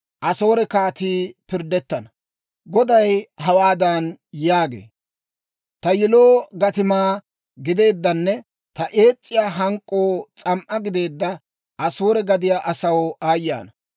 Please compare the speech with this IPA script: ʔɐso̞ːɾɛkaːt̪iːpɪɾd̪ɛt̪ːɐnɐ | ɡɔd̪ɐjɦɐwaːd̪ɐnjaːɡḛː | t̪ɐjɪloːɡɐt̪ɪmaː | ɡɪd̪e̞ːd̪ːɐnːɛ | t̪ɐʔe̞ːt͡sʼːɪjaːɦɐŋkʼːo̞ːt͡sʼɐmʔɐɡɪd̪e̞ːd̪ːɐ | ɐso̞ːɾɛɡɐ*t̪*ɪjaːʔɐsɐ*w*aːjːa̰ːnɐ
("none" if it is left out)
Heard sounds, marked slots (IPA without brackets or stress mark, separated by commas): d̪, w